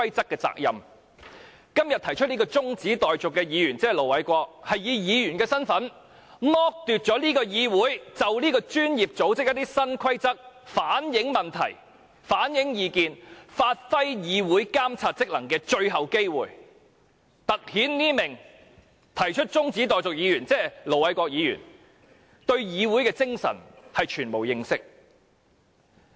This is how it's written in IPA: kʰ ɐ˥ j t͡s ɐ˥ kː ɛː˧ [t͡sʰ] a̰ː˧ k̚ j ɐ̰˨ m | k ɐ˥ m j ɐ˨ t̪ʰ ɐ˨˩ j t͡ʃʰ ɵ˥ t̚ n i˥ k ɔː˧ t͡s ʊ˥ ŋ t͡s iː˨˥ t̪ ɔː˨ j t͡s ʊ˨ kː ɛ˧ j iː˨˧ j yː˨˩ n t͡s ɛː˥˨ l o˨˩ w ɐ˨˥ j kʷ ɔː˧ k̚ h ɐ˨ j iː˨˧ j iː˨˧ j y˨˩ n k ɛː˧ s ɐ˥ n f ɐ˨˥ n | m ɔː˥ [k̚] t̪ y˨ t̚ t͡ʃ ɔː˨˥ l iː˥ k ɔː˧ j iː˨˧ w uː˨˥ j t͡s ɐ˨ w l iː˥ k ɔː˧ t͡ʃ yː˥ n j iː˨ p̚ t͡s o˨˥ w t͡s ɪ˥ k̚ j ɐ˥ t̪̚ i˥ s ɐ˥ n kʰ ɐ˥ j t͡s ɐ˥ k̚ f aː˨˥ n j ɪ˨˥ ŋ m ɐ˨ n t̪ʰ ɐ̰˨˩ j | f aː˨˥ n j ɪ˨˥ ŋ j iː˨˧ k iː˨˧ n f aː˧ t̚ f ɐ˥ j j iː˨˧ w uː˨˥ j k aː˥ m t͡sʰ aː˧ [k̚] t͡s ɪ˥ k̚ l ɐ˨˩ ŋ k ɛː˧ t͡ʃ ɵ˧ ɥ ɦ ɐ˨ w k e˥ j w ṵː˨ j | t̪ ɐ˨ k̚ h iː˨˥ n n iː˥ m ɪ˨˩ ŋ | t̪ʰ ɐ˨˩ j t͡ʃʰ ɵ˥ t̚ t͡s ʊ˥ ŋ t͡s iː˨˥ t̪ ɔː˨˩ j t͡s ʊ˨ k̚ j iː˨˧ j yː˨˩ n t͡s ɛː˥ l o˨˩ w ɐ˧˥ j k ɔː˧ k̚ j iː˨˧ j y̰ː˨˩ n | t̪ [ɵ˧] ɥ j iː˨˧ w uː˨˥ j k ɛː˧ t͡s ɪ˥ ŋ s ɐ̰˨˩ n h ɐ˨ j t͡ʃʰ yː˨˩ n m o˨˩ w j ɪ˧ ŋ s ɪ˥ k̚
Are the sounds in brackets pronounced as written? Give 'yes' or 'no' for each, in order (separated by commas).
no, yes, no, yes